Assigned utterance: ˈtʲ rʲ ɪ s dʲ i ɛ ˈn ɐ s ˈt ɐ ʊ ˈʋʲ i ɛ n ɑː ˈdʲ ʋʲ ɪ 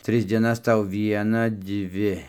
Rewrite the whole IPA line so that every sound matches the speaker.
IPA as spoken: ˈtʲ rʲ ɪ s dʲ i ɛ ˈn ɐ s ˈt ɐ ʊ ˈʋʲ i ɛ n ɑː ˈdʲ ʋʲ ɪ